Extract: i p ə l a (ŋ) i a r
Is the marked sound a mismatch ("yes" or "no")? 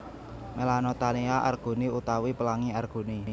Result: no